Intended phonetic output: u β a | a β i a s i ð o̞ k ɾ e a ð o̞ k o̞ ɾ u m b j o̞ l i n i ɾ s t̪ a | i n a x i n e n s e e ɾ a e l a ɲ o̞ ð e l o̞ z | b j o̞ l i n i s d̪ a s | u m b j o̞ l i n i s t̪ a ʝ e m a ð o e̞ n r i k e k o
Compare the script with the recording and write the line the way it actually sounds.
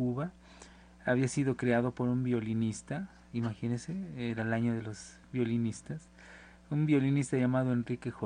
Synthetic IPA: u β a | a β i a s i ð o̞ k ɾ e a ð o̞ p o̞ ɾ u m b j o̞ l i n i s t̪ a | i m a x i n e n s e e ɾ a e l a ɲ o̞ ð e l o̞ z | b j o̞ l i n i s t̪ a s | u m b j o̞ l i n i s t̪ a ʝ a m a ð o e̞ n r i k e x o